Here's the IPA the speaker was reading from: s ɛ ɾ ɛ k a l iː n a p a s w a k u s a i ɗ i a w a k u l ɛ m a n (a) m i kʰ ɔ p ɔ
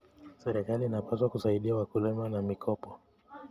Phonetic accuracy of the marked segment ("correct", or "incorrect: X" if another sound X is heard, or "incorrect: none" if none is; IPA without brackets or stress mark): correct